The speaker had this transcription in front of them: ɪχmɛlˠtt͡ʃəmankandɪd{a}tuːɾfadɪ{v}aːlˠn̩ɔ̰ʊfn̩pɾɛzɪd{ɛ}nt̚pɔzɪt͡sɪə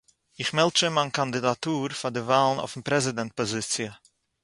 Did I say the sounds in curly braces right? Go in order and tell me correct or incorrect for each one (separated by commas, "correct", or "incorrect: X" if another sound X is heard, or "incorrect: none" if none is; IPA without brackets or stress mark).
correct, correct, correct